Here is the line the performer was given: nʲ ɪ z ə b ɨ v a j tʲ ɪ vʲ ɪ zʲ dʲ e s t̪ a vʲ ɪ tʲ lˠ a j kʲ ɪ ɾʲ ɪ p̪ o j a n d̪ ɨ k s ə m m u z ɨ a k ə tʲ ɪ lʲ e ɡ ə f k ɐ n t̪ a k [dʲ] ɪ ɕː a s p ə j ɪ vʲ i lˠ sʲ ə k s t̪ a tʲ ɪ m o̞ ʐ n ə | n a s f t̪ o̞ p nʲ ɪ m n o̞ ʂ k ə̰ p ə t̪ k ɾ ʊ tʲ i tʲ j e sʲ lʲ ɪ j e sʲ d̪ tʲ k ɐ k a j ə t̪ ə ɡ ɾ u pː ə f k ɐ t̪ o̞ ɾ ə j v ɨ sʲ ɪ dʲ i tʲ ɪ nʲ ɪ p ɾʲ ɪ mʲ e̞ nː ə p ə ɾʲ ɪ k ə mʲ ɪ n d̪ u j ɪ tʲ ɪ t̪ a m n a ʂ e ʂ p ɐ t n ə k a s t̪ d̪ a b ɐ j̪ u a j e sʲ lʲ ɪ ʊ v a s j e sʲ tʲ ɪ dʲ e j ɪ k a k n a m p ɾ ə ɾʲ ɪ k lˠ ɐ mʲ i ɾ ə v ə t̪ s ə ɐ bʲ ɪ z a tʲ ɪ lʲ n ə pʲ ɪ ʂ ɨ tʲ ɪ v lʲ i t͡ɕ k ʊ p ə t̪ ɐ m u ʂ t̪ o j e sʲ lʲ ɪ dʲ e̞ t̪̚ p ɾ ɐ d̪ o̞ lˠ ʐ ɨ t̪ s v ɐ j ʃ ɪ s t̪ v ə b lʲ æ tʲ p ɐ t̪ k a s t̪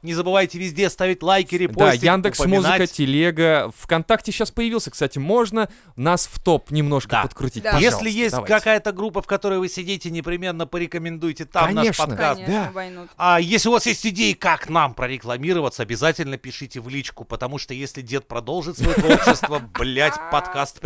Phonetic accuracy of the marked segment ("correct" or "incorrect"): incorrect